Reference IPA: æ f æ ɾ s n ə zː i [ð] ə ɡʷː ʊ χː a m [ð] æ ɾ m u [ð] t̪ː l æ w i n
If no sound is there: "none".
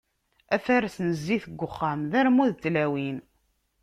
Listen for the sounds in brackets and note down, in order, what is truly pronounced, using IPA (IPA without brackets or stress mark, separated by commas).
θ, ð, ð